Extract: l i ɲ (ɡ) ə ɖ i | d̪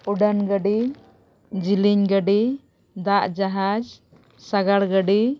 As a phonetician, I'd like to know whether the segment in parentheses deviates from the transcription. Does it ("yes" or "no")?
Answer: no